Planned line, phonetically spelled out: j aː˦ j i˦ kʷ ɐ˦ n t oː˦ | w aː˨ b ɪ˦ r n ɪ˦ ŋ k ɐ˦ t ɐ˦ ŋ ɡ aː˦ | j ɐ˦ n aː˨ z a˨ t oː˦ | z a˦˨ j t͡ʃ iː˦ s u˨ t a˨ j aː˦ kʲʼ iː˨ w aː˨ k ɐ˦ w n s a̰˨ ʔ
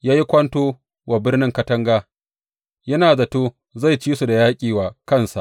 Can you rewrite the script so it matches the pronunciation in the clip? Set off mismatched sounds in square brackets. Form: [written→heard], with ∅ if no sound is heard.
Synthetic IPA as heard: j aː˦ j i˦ kʷ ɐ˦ n t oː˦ | w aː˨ b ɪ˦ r n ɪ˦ ŋ k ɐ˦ t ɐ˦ ŋ ɡ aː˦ | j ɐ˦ n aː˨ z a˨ t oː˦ | z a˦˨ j t͡ʃ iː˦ s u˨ [t→d] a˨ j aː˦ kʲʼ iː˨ w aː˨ k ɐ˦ [w→∅] n s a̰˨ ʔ